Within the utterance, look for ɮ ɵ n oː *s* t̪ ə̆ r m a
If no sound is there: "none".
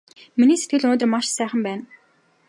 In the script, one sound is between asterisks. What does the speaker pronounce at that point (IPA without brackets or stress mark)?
none